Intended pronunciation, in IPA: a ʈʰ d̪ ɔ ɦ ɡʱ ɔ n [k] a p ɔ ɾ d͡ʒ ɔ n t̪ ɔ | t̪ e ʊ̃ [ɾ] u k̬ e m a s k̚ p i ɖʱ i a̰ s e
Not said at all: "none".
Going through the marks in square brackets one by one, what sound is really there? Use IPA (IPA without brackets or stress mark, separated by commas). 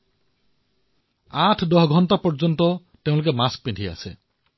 t, l